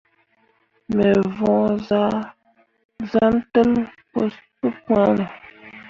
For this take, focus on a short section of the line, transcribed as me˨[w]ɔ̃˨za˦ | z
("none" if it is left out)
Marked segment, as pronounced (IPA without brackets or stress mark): v